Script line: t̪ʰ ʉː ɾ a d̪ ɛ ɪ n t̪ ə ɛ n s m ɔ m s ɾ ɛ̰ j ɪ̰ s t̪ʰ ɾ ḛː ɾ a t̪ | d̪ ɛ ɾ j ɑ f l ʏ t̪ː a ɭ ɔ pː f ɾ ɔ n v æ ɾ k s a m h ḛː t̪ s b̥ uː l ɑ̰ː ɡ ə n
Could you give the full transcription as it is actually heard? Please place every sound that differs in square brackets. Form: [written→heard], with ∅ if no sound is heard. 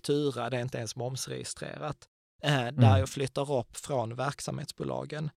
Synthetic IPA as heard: t̪ʰ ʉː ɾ a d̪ ɛ ɪ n t̪ ə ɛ n s m ɔ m s ɾ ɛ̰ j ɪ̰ s [t̪ʰ→t̪] ɾ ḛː ɾ a t̪ | d̪ [ɛ→æ] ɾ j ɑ f l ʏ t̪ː a [ɭ→ɾ] ɔ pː f ɾ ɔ n v æ ɾ k s a m h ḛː t̪ s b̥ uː l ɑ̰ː ɡ ə n